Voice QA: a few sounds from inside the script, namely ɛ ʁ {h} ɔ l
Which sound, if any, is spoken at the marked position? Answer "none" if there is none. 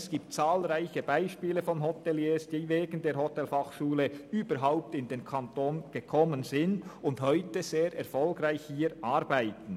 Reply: f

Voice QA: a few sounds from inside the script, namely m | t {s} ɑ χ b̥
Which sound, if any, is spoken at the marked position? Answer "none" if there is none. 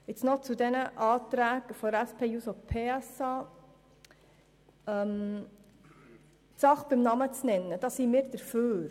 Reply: s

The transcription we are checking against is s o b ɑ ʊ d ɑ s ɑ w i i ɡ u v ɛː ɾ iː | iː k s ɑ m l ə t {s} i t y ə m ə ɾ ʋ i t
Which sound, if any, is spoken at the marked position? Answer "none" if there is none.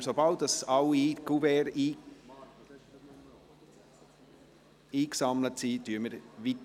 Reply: s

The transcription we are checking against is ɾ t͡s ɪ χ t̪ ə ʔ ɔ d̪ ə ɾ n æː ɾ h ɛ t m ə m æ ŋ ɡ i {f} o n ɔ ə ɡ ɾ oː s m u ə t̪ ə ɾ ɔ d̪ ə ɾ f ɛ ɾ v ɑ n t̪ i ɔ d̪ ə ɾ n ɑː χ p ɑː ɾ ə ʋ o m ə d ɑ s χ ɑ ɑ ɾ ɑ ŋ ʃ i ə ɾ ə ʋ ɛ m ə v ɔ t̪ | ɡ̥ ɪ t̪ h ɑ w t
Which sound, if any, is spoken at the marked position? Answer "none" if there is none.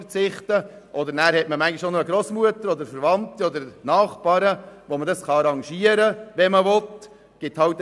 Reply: ʃ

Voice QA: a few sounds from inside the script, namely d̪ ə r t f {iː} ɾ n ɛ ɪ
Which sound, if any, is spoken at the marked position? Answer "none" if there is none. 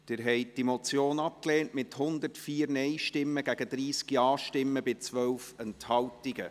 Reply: iː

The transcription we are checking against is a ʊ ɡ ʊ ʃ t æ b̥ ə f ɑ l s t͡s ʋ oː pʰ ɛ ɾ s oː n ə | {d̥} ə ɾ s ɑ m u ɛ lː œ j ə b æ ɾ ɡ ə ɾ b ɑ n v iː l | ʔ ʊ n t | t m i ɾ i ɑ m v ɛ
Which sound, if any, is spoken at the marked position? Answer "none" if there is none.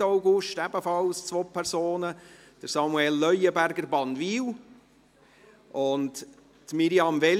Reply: d̥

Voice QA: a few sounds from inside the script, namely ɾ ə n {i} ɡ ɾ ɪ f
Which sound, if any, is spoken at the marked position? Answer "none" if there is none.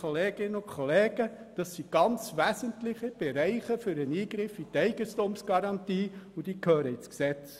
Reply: iː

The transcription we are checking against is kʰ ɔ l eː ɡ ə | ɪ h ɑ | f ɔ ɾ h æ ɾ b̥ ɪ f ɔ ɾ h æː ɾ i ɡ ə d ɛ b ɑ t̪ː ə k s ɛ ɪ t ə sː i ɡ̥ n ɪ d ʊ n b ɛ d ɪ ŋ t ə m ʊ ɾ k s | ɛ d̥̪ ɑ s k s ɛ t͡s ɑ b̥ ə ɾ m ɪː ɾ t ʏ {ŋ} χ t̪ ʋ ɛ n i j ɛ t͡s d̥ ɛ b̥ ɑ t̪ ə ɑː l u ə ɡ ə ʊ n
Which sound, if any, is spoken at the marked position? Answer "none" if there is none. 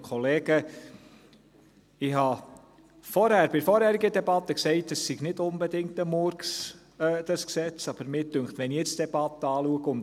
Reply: ŋ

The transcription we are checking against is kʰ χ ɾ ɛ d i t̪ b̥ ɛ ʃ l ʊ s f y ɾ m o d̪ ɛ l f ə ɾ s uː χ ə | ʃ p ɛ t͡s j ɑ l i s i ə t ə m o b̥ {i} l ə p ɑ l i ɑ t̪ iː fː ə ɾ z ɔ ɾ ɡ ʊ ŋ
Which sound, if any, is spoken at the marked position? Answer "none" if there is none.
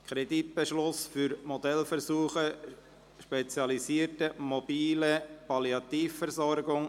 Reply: iː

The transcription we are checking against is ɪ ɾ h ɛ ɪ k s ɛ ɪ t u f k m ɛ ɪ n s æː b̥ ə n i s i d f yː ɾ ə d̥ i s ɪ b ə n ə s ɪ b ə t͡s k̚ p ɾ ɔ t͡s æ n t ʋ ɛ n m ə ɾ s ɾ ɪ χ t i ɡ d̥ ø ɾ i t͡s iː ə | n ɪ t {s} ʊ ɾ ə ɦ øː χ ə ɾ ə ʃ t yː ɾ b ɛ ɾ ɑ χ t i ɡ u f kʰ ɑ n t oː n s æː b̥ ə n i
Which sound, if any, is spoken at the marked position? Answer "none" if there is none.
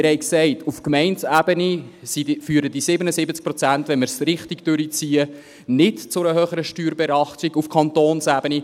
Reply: t͡s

